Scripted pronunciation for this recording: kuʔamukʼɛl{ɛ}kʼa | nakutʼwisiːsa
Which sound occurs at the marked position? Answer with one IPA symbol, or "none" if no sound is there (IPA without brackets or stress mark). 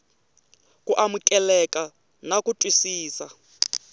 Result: ɛ